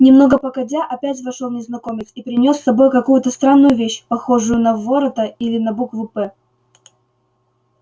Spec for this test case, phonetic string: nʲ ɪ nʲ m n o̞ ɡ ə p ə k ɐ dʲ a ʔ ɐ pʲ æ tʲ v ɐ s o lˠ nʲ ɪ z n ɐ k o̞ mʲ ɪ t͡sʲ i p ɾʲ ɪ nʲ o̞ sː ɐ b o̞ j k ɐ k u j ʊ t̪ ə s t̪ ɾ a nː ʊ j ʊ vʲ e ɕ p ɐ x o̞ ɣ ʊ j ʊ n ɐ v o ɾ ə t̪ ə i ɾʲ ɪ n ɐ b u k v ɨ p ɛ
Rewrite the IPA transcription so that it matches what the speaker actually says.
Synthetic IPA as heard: nʲ ɪ m n o̞ ɡ ə p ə k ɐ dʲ a ʔ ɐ pʲ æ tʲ v ɐ ʂ o lˠ nʲ ɪ z n ɐ k o̞ mʲ ɪ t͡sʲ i p ɾʲ ɪ nʲ o̞ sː ɐ b o̞ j k ɐ k u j ʊ t̪ ə s t̪ ɾ a nː ʊ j ʊ vʲ e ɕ p ɐ x o̞ ʐ ʊ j ʊ n ɐ v o ɾ ə t̪ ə i lʲ ɪ n ɐ b u k v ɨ p ɛ